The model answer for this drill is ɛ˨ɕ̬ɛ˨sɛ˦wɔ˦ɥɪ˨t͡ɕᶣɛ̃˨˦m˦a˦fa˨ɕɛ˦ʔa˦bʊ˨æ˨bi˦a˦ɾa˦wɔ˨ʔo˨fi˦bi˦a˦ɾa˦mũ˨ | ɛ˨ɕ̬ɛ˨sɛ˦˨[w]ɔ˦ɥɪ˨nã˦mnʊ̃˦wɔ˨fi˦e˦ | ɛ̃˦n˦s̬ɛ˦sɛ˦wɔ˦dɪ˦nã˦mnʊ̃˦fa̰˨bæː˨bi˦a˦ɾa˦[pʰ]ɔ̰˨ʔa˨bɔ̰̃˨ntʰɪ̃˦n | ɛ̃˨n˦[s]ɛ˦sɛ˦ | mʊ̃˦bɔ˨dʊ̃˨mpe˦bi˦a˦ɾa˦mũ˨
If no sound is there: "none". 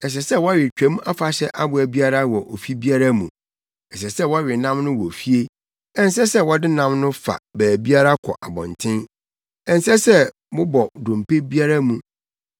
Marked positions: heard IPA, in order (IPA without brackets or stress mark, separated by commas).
w, kʰ, s